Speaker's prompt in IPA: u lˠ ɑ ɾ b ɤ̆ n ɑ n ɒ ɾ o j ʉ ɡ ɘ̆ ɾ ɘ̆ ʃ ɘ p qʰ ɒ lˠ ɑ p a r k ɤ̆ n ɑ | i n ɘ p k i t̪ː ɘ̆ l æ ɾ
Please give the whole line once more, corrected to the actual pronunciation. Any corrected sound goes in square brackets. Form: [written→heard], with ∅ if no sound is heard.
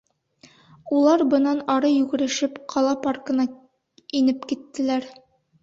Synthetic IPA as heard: u lˠ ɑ ɾ b ɤ̆ n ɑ n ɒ ɾ [o→ɤ] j ʉ ɡ ɘ̆ ɾ ɘ̆ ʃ ɘ p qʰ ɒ lˠ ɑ p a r k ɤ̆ n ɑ | i n ɘ p k i t̪ː ɘ̆ l æ ɾ